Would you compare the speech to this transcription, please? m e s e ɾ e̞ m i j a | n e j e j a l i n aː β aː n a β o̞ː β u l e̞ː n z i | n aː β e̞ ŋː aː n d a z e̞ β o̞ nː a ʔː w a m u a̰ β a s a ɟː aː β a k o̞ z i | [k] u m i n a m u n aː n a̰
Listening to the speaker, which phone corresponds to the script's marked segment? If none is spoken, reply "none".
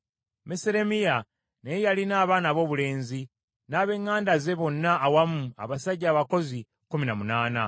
k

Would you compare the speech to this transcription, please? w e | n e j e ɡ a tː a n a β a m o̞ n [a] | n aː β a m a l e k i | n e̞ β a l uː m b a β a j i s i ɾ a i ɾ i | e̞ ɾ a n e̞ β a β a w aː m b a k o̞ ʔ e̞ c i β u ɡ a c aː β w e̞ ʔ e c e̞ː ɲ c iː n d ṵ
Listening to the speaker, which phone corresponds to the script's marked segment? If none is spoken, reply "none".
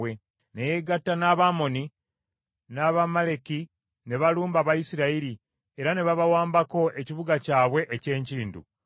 i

